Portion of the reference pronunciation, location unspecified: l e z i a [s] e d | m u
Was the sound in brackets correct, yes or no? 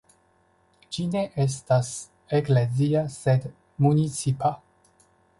yes